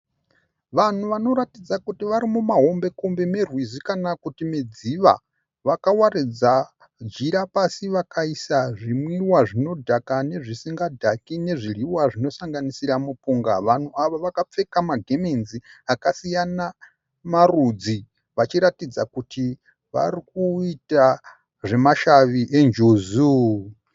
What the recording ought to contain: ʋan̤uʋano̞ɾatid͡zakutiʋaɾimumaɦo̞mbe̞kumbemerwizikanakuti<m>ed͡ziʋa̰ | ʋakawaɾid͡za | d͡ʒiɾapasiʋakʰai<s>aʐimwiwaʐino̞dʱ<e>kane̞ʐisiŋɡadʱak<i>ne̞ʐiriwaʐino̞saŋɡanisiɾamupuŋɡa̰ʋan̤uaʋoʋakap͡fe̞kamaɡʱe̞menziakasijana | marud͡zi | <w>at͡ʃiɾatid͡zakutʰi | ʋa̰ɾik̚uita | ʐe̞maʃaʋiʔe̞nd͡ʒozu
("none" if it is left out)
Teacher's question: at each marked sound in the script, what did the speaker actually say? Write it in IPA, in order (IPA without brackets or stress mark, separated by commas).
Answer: m, s, a, i, ʋ